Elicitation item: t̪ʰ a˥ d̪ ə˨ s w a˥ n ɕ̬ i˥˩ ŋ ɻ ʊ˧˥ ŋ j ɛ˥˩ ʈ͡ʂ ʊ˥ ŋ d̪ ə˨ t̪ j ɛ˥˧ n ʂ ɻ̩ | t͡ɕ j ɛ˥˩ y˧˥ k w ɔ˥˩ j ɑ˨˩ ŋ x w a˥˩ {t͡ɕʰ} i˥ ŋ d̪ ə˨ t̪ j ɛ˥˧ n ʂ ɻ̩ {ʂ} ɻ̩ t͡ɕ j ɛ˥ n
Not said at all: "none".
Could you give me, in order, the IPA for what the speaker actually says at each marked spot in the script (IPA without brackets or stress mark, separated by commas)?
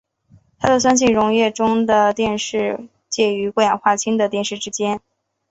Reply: t͡ɕʰ, ʈ͡ʂ